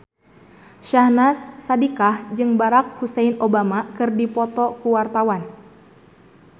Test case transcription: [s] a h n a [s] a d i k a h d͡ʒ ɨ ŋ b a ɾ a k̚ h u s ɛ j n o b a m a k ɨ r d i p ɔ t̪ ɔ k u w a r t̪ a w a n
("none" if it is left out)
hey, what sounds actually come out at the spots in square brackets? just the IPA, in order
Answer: ʃ, sː

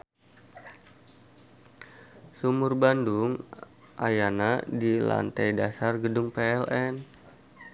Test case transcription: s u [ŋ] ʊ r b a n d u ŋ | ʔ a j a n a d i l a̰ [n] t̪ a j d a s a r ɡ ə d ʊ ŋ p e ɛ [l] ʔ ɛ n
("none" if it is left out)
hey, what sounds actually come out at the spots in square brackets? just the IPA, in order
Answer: m, n, l

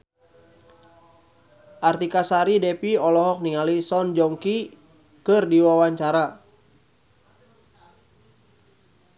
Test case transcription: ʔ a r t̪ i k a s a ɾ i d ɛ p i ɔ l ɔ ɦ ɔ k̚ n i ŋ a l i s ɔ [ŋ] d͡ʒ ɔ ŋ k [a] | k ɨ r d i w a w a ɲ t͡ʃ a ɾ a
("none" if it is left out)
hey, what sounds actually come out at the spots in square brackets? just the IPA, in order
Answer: n, i

